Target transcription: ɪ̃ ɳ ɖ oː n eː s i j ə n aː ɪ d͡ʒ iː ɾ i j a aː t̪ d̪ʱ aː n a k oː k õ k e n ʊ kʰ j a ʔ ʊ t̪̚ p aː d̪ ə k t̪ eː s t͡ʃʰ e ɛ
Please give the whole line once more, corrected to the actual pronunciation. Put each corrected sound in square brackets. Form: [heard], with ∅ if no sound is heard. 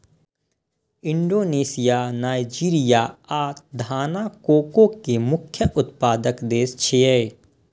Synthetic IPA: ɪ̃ ɳ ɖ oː n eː s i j [a] n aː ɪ d͡ʒ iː ɾ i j a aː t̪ d̪ʱ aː n a k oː k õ k e [m] ʊ kʰ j [ə] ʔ ʊ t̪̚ p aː d̪ ə k [d̪] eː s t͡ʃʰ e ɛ